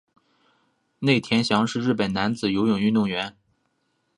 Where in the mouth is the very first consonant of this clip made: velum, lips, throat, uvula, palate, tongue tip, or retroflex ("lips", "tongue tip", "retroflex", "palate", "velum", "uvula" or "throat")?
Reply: tongue tip